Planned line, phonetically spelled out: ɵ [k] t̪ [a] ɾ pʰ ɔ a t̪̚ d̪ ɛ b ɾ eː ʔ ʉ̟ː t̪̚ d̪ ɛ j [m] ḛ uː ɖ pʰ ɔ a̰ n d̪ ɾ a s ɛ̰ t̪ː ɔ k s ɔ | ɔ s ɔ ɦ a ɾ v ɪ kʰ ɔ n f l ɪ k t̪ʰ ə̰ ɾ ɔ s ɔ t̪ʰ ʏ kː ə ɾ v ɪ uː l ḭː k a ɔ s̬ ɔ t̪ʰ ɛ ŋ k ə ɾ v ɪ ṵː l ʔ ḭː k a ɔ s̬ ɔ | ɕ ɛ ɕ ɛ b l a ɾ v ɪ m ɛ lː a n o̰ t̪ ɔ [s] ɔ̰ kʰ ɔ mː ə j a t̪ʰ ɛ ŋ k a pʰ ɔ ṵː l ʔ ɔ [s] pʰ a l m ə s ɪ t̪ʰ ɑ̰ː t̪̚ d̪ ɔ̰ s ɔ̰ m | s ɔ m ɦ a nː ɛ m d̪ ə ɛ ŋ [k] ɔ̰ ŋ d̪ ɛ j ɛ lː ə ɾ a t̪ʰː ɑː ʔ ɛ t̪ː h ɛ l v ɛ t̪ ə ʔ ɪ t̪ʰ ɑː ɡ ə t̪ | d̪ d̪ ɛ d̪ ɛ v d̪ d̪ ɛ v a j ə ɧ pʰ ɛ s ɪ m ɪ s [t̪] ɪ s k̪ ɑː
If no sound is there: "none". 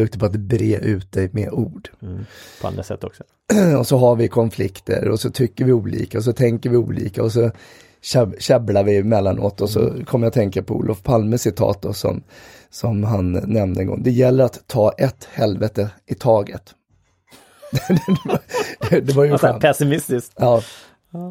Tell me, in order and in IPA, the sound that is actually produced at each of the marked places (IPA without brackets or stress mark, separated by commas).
k, ə, m, s, f, ɡ, t̪